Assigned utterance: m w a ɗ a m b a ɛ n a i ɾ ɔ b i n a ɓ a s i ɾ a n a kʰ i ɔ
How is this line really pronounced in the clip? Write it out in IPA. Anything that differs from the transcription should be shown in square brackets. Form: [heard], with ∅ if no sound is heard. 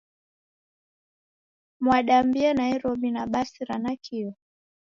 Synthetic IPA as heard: m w a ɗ a m b [i] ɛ n a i ɾ ɔ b i n a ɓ a s i ɾ a n a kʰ i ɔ

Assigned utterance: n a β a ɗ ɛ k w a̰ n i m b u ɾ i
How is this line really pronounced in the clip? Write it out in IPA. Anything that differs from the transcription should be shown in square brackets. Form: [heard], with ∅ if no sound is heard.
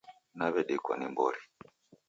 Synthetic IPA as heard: n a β [ɛ] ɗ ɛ k w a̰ n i m b [ɔ] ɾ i

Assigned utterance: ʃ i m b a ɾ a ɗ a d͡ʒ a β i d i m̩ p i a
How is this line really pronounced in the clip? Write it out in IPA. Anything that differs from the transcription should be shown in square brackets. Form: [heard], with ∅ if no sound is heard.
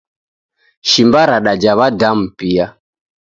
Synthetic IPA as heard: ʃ i m b a ɾ a ɗ a d͡ʒ a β [a] d [a] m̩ p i a

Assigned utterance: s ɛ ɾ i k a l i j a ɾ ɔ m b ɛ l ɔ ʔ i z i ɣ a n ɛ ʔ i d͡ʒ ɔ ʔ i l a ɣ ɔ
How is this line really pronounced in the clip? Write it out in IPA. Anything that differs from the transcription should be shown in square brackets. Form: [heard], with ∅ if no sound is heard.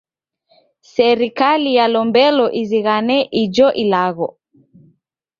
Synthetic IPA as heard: s ɛ ɾ i k a l i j a [l] ɔ m b ɛ l ɔ ʔ i z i ɣ a n ɛ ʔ i d͡ʒ ɔ ʔ i l a ɣ ɔ

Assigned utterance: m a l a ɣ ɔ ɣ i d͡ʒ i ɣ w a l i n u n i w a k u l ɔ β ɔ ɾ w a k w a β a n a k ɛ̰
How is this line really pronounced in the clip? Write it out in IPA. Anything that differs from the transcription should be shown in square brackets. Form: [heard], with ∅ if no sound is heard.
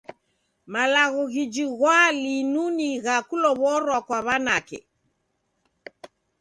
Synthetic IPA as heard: m a l a ɣ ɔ ɣ i d͡ʒ i ɣ w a l i n u n i [ɣ] a k u l ɔ β ɔ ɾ w a k w a β a n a k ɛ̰

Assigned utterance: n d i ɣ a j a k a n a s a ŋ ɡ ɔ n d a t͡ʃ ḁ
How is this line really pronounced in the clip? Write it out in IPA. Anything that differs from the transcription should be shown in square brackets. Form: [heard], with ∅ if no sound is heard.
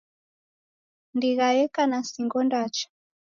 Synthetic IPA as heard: n d i ɣ a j [ɛ] k a n a s [i] ŋ ɡ ɔ n d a t͡ʃ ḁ

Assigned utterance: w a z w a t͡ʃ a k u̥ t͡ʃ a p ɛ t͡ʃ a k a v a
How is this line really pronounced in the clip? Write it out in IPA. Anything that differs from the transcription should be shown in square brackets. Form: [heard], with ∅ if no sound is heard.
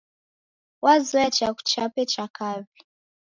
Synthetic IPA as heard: w a z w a t͡ʃ a k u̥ t͡ʃ a p ɛ t͡ʃ a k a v [i]

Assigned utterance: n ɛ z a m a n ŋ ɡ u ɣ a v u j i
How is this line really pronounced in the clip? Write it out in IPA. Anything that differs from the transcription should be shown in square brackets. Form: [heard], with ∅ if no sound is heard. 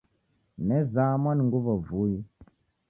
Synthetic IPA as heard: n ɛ z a m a n ŋ ɡ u [v] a v u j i

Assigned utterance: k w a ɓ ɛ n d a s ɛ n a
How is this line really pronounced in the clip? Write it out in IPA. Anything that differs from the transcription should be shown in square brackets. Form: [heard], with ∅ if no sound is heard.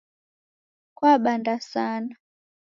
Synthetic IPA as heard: k w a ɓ [a] n d a s [a] n a

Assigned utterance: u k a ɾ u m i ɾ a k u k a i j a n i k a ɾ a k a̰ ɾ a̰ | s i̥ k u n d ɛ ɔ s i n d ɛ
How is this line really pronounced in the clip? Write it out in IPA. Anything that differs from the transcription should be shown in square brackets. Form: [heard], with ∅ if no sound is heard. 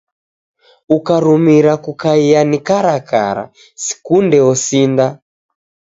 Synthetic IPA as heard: u k a ɾ u m i ɾ a k u k a i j a n i k a ɾ a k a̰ ɾ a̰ | s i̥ k u n d ɛ ɔ s i n d [a]

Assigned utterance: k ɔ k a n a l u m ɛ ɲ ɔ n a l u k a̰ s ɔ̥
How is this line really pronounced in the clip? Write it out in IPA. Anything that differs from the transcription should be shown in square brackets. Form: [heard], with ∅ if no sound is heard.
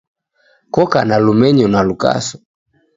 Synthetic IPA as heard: k ɔ k a n a l u m ɛ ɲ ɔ n a l u k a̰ s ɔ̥

